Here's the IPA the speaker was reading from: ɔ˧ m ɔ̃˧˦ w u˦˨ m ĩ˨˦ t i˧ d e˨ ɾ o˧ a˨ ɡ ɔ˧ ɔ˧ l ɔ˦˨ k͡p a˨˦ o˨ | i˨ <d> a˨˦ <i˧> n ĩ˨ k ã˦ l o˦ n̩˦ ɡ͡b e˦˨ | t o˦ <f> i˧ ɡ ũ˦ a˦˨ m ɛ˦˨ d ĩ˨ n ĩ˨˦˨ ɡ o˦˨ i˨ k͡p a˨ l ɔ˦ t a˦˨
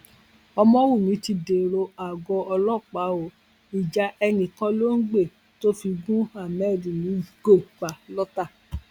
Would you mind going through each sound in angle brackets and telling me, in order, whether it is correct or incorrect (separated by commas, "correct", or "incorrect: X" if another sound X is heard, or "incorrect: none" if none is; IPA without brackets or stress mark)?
incorrect: d͡ʒ, incorrect: ɛ˧, correct